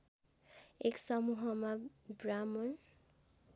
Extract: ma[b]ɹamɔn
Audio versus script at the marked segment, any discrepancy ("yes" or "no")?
no